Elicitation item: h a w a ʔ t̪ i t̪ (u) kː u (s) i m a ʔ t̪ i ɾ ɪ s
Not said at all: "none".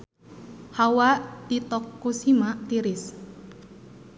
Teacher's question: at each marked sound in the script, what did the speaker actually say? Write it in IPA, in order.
ɔ, s

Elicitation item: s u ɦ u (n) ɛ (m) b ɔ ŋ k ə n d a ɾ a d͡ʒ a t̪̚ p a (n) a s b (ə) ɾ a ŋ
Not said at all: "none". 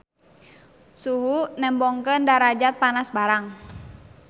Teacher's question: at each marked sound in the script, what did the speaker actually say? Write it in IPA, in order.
n, m, n, a

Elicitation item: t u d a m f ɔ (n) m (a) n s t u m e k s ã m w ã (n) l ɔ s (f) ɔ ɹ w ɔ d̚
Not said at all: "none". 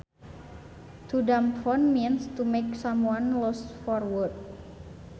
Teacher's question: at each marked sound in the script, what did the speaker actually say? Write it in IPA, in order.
n, i, n, f

